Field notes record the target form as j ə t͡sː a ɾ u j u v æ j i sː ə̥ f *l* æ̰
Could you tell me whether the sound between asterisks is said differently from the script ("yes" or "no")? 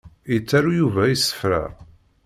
yes